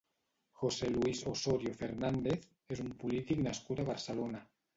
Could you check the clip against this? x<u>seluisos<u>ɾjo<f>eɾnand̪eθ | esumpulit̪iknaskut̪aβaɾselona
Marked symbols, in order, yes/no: no, no, yes

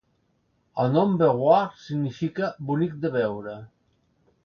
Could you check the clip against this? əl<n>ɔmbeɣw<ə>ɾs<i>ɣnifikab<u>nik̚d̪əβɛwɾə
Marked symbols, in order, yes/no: yes, no, yes, yes

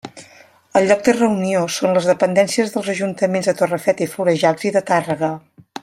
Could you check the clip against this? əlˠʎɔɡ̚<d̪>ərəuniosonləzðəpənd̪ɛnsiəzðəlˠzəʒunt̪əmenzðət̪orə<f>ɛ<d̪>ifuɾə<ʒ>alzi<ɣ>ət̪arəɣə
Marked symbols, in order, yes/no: yes, yes, no, yes, no

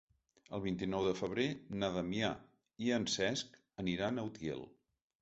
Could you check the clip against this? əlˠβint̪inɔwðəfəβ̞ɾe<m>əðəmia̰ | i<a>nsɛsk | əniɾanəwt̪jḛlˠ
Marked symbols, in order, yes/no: no, no

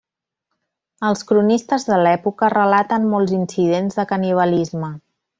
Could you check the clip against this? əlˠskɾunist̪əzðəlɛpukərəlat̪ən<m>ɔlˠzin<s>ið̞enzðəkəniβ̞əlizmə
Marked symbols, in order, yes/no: yes, yes

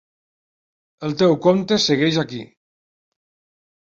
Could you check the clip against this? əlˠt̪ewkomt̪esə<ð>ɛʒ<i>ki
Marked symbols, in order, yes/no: no, no

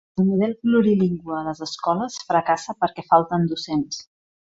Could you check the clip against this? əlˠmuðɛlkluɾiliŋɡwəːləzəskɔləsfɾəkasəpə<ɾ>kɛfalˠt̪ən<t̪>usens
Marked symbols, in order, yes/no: yes, no

